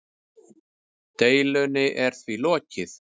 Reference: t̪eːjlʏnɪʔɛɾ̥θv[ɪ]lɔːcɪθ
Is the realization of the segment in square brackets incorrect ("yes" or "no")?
yes